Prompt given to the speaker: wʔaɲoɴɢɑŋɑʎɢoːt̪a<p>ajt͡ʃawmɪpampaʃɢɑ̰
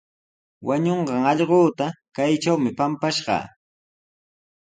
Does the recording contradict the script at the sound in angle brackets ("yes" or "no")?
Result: yes